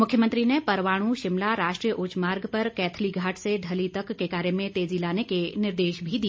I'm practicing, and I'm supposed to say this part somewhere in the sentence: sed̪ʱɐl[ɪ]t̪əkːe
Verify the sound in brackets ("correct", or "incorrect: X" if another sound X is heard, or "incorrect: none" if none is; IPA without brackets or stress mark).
incorrect: i